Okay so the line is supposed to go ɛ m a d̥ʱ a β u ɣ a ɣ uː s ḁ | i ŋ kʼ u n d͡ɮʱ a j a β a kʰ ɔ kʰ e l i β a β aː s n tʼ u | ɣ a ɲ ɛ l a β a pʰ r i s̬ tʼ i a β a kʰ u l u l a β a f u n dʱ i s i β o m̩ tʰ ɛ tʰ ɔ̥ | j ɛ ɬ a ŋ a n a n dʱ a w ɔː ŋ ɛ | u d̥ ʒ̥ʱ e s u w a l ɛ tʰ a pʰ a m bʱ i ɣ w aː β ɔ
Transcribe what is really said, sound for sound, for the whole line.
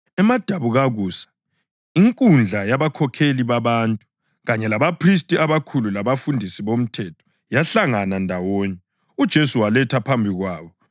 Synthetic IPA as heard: ɛ m a d̥ʱ a β u ɣ a ɣ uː s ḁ | i ŋ kʼ u n d͡ɮʱ a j a β a kʰ ɔ kʰ e l i β a β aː n tʼ u | ɣ a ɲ ɛ l a β a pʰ r i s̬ tʼ i a β a kʰ u l u l a β a f u n dʱ i s i β o m̩ tʰ ɛ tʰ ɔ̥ | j a ɬ a ŋ a n a n dʱ a w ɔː ɲ ɛ | u d̥ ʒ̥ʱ e s u w a l ɛ tʰ a pʰ a m bʱ i ɣ w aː β ɔ